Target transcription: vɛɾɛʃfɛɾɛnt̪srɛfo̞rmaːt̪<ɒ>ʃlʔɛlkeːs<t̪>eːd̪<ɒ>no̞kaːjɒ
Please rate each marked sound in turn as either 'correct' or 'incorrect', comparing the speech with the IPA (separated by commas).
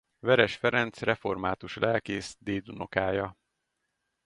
incorrect, incorrect, incorrect